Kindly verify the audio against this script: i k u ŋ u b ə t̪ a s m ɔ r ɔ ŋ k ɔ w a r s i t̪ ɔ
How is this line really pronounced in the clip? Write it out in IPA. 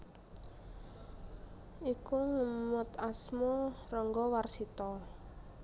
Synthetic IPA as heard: i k u ŋ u m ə t̪ a s m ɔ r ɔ ŋ ɡ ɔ w a r s i t̪ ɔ